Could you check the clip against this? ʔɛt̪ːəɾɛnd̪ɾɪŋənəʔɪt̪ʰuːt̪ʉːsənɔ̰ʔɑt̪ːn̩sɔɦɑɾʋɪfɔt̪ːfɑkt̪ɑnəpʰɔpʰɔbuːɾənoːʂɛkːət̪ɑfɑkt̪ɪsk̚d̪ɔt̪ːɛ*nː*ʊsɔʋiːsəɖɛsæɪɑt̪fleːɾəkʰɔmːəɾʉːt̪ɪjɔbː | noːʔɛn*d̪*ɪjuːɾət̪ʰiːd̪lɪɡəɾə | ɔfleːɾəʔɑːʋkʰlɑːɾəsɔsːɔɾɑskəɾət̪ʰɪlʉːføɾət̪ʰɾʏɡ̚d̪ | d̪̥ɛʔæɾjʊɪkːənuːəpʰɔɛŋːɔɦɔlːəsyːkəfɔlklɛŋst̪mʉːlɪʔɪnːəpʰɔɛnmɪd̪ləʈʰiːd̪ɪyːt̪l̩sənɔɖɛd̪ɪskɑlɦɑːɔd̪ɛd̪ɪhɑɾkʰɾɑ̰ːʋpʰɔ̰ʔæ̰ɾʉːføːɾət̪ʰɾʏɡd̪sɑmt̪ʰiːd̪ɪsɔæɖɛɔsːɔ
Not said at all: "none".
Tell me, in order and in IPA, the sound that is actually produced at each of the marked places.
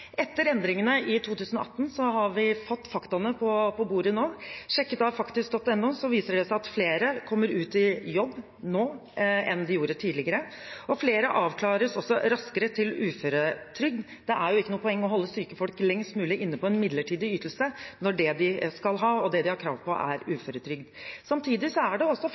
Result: nː, d̪

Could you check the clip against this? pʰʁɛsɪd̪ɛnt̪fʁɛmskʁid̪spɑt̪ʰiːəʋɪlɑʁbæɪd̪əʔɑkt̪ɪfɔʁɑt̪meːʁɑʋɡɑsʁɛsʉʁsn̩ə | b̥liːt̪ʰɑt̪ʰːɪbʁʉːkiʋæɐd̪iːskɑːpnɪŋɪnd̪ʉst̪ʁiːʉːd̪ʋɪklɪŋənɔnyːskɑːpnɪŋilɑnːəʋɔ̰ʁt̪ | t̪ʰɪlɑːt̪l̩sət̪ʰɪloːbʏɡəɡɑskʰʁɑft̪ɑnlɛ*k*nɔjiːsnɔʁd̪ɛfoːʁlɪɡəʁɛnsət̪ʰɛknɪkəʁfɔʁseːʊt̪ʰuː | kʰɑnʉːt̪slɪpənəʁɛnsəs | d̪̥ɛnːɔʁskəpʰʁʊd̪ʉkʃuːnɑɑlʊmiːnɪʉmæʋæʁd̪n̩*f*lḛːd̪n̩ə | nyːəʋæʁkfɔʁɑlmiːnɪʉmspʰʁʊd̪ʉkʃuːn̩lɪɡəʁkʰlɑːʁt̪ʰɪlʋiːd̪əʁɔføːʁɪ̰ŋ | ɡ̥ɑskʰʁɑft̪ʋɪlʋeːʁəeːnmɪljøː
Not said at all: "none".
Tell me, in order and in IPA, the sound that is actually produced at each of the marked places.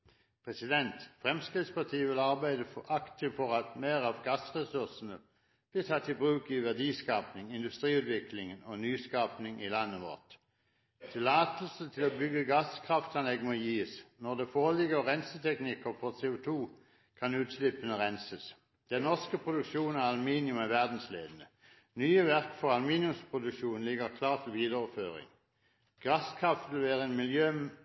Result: ɡ, s

